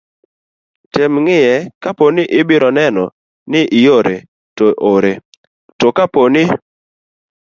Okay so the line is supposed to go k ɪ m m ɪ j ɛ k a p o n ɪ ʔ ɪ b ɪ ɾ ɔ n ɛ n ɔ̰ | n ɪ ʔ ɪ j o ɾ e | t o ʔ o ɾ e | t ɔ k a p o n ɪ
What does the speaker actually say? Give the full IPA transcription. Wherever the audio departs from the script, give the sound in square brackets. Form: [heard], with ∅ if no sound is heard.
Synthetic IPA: [t] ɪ m [ŋ] ɪ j ɛ k a p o n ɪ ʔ ɪ b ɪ ɾ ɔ n ɛ n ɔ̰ | n ɪ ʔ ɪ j o ɾ e | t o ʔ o ɾ e | t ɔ k a p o n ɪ